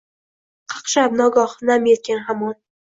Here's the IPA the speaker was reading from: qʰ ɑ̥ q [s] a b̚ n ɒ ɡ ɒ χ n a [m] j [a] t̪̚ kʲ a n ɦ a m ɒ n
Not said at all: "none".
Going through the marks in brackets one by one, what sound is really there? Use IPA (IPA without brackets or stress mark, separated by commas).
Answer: ʃ, m, e